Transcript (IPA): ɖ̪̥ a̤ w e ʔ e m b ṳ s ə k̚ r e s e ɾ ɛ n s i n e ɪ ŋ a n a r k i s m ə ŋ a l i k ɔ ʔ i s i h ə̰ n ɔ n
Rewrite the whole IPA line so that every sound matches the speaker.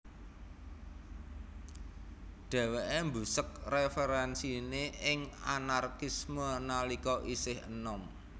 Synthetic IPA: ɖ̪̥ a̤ w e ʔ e m b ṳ s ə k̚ r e f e ɾ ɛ n s i n e ɪ ŋ a n a r k i s m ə n a l i k ɔ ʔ i s ɪ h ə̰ n ɔ m